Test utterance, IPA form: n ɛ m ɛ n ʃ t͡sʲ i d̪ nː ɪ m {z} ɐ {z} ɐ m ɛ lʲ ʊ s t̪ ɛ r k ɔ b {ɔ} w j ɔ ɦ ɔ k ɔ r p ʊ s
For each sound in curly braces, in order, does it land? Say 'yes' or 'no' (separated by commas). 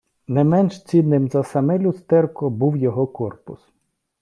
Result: yes, no, no